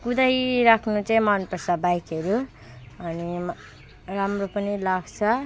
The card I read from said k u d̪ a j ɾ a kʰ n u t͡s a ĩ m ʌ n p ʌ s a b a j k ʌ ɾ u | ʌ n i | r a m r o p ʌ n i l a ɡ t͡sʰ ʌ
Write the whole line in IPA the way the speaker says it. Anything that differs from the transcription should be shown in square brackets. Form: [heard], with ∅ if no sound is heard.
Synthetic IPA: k u d̪ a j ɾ a kʰ n u t͡s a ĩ m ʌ n p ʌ s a b a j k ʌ ɾ u | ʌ n i | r a m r o p ʌ n i l a ɡ t͡sʰ ʌ